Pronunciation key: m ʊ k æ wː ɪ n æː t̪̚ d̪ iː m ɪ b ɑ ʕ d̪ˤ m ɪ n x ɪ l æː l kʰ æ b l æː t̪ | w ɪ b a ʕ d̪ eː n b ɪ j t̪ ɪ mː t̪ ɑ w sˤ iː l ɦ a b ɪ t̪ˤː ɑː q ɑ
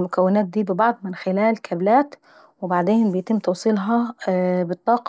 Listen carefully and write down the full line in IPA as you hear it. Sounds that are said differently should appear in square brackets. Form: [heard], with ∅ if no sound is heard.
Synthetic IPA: m ʊ k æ wː ɪ n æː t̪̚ d̪ iː [b] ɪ b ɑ ʕ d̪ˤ m ɪ n x ɪ l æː l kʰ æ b l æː t̪ | w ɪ b a ʕ d̪ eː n b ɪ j t̪ ɪ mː t̪ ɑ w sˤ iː l ɦ [ɑ] b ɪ t̪ˤː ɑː q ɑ

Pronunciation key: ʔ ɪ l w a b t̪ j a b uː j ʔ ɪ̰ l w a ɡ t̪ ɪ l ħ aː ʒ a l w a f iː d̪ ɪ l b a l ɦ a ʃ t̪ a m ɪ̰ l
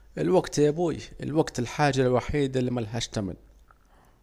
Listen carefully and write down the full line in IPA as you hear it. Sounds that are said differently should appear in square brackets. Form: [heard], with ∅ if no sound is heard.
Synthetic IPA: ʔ ɪ l w a [ɡ] t̪ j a b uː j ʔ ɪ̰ l w a ɡ t̪ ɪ l ħ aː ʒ a l w a [ħ] iː d̪ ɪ l [m] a l ɦ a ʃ t̪ a m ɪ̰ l

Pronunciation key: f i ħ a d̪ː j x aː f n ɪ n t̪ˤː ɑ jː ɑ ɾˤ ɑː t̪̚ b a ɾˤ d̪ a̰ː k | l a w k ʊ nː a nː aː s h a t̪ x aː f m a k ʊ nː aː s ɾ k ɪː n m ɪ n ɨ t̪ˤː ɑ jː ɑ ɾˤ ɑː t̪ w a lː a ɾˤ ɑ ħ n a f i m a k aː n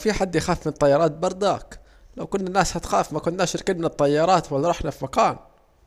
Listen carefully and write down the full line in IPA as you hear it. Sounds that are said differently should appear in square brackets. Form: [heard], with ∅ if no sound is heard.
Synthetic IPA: f i ħ a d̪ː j x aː f [m] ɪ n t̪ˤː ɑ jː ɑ ɾˤ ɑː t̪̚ b [ɑ] ɾˤ d̪ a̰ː k | l a w k ʊ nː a nː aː s h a t̪ x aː f m a k ʊ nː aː [ʃ] ɾ k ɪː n m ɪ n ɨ t̪ˤː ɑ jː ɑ ɾˤ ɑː t̪ w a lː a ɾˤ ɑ ħ n a f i m a k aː n

